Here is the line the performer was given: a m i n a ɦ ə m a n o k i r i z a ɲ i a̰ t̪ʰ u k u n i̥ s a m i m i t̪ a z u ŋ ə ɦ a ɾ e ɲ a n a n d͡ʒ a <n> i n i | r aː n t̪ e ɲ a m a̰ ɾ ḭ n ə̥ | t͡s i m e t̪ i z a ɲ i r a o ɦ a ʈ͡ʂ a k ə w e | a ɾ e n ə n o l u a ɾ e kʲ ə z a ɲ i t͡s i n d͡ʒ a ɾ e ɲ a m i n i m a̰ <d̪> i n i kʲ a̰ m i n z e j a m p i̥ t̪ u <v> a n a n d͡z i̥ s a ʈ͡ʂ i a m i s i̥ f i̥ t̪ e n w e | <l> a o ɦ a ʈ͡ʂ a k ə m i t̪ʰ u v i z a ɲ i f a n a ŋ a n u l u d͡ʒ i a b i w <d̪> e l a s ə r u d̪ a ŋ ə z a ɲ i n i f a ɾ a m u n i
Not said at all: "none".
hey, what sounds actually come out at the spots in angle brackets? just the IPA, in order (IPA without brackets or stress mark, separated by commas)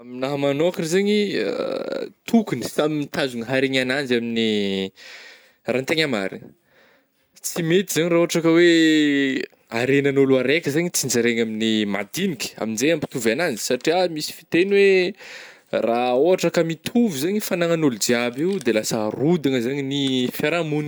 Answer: m, d̪, v, r, d̪